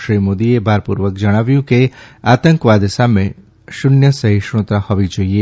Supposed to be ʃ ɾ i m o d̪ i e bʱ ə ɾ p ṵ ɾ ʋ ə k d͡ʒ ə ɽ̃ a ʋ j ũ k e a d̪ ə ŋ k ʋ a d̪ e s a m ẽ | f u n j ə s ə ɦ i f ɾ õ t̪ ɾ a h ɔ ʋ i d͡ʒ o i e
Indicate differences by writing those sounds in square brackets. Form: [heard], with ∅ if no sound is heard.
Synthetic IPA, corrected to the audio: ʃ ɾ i m o d̪ i e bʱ [a] ɾ p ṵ ɾ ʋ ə k d͡ʒ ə ɽ̃ a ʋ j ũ k e a [t̪] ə ŋ k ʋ a d̪ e s a m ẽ | [ʃ] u n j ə s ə ɦ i [ʃ] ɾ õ t̪ ɾ a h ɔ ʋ i d͡ʒ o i e